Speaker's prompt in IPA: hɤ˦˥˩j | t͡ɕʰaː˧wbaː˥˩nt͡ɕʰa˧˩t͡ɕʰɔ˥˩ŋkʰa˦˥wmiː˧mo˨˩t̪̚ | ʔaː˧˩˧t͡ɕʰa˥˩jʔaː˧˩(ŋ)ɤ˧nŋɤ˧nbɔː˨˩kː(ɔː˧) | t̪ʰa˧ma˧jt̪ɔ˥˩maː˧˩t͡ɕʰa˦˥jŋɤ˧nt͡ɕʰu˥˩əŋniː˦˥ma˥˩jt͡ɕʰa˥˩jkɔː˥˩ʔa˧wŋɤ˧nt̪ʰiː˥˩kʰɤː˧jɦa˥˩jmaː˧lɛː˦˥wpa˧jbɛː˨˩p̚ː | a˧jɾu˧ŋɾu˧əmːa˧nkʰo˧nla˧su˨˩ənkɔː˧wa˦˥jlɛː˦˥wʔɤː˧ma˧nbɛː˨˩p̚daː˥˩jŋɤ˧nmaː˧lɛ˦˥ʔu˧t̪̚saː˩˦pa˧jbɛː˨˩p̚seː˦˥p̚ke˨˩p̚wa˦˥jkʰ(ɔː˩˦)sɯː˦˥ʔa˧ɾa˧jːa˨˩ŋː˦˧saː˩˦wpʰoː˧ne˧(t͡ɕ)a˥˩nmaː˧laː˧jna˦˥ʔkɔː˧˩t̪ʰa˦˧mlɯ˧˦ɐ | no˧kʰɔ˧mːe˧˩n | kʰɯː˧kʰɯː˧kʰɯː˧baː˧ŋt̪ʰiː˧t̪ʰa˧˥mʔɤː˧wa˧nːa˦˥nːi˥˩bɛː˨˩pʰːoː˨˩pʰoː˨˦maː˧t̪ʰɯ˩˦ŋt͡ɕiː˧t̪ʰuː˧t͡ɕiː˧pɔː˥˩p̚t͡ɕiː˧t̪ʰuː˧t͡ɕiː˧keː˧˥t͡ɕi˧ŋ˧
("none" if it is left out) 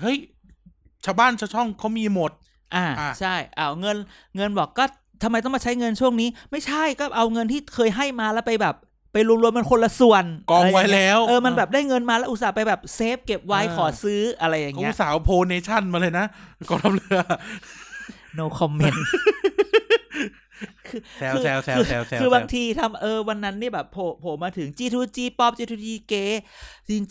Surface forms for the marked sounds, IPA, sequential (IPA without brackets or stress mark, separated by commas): ŋ, ɔː˥˩, ɔː˩˦, t͡ɕʰ